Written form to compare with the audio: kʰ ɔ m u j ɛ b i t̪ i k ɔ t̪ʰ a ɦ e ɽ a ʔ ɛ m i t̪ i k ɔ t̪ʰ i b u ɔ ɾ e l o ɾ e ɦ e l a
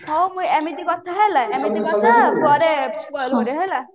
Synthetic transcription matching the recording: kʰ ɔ m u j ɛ m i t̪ i k ɔ t̪ʰ a ɦ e l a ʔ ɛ m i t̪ i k ɔ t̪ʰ a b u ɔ ɾ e l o ɾ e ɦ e l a